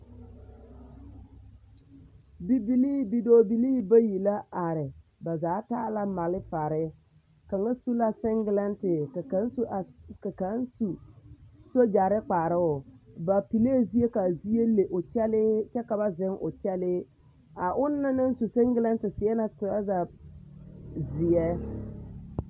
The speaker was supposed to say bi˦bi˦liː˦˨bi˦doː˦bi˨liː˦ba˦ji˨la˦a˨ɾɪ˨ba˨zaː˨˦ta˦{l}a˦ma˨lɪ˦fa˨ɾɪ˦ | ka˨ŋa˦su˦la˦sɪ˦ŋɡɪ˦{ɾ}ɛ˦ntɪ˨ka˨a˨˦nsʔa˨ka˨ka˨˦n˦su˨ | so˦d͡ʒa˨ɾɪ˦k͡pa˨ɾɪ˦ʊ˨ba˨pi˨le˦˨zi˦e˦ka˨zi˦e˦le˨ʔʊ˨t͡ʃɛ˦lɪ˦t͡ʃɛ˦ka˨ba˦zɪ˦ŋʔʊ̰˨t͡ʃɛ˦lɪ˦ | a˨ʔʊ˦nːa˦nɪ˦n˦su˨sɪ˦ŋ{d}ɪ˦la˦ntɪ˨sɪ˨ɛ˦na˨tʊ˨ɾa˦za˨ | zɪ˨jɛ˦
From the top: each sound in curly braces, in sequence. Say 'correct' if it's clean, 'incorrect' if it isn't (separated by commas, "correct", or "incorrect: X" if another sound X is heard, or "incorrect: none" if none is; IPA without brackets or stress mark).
correct, incorrect: l, incorrect: ɡ